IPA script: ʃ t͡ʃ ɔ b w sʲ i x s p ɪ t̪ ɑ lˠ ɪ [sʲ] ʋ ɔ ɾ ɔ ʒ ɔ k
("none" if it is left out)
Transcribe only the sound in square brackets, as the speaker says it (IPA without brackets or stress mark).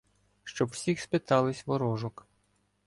sʲ